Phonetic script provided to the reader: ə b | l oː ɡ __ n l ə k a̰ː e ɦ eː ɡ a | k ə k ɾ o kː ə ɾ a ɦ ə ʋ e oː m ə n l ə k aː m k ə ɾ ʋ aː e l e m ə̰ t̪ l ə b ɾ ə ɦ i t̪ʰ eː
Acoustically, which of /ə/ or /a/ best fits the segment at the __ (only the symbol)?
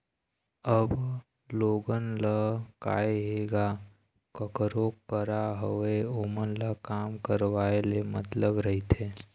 ə